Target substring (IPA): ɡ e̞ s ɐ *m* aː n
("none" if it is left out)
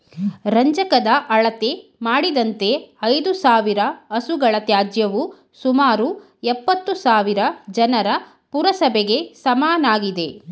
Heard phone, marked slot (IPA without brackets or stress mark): m